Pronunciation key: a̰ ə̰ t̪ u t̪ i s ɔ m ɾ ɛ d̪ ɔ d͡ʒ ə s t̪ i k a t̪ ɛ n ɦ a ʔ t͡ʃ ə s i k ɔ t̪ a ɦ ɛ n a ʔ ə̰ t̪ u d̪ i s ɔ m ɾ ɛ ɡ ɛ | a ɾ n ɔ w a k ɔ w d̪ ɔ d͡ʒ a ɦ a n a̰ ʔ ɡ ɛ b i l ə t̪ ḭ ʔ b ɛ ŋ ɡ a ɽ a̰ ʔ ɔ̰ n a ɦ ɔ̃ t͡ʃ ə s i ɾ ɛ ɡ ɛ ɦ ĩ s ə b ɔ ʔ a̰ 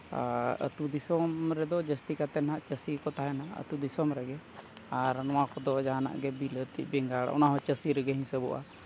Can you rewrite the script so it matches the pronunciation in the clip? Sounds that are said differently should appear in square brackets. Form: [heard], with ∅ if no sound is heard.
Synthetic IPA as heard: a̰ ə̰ t̪ u [d̪] i s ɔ m ɾ ɛ d̪ ɔ d͡ʒ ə s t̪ i k a t̪ ɛ n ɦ a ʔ t͡ʃ ə s i k ɔ t̪ a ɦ ɛ n a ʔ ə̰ t̪ u d̪ i s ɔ m ɾ ɛ ɡ ɛ | a ɾ n ɔ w a k ɔ [∅] d̪ ɔ d͡ʒ a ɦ a n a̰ ʔ ɡ ɛ b i l ə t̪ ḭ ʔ b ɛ ŋ ɡ a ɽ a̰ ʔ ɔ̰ n a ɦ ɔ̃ t͡ʃ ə s i ɾ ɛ ɡ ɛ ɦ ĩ s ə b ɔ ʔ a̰